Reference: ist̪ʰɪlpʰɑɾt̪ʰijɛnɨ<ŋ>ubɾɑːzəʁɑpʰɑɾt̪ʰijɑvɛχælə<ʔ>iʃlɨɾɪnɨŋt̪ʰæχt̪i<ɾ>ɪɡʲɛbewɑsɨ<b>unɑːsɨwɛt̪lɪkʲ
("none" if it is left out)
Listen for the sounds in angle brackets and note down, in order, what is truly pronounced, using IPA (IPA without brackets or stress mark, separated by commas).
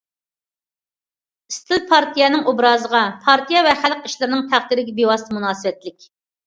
ŋ, q, ɾ, m